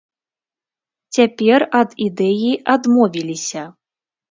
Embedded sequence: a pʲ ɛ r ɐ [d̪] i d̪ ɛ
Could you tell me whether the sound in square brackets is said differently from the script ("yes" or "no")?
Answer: no